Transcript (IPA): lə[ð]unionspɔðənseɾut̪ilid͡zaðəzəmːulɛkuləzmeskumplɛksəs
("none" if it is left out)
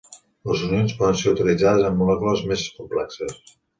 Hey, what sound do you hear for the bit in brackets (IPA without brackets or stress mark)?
z